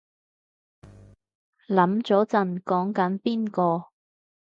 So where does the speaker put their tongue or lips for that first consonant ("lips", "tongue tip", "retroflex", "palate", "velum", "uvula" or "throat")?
tongue tip